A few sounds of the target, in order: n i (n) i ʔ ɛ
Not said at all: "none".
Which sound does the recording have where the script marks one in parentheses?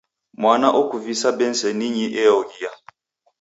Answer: ɲ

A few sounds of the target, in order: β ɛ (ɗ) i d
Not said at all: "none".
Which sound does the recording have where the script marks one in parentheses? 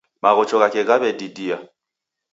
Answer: d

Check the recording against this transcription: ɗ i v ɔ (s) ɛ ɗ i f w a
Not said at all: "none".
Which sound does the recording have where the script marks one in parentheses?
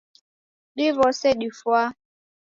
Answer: s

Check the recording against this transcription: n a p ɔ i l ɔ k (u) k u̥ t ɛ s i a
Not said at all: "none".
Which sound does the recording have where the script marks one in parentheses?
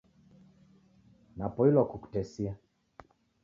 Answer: u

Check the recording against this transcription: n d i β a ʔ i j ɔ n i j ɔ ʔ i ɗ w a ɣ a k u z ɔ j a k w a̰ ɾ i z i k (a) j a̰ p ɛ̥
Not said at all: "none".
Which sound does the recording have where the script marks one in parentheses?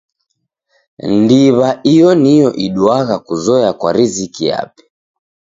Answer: i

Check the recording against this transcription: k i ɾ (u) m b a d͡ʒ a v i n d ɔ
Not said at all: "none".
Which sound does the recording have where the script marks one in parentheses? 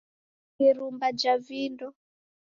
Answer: u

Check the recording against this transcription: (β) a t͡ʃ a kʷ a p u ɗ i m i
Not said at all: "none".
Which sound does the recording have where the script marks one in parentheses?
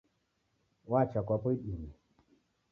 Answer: w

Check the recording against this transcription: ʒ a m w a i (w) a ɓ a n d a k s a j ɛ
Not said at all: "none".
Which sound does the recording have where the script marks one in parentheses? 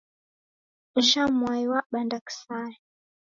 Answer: w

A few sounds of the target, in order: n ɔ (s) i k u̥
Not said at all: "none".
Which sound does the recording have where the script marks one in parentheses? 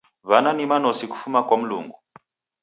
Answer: s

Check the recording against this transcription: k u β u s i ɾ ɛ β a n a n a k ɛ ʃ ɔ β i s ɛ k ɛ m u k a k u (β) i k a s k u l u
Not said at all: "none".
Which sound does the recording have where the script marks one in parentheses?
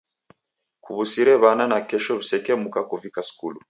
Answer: v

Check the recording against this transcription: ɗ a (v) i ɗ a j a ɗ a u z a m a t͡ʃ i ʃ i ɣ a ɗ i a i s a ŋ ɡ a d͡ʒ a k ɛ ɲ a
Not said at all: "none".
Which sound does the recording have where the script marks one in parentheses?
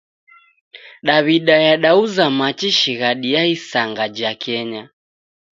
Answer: β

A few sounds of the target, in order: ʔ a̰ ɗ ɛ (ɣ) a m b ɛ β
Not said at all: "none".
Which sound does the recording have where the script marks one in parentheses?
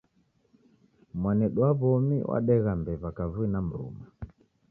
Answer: ɣ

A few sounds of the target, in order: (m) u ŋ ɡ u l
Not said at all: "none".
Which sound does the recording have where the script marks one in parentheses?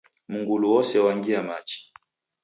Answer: m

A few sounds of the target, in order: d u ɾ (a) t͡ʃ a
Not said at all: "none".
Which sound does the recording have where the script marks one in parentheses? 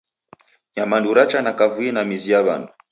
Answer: a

